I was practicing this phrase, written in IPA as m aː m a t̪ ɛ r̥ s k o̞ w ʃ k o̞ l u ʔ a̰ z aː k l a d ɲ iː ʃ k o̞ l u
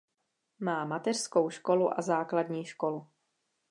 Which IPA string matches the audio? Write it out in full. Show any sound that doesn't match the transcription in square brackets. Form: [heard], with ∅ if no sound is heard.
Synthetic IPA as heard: m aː m a t̪ ɛ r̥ s k o̞ w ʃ k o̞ l u ʔ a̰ z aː k l a d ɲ iː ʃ k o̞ l u